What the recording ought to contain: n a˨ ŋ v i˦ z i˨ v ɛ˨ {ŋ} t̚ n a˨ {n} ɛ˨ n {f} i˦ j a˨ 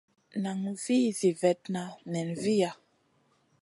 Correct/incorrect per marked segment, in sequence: incorrect: none, correct, incorrect: v

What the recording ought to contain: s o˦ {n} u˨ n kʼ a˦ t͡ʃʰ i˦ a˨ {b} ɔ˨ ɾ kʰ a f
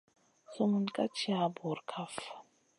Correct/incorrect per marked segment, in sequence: incorrect: m, correct

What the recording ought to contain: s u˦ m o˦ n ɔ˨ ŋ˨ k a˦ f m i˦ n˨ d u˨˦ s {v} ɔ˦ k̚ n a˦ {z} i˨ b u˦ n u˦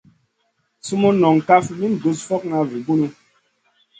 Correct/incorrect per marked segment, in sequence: incorrect: f, incorrect: v

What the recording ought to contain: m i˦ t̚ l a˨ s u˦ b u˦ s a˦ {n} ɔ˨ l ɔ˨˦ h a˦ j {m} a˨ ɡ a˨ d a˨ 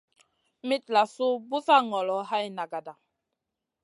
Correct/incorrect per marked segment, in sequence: incorrect: ŋ, incorrect: n

